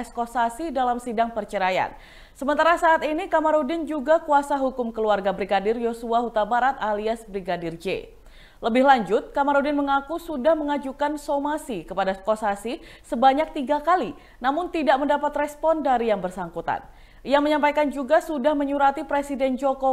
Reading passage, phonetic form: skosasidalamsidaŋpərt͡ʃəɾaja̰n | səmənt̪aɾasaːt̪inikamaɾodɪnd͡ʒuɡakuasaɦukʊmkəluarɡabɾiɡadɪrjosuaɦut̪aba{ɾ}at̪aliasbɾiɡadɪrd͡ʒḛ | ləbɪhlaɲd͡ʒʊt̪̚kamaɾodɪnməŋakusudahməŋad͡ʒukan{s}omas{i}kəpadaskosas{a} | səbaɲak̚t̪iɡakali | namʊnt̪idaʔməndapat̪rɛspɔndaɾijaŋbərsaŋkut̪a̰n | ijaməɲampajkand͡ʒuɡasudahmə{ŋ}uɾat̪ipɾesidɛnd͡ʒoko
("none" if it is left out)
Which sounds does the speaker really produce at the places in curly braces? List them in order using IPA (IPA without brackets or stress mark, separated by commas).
ɾ, s, i, i, ɲ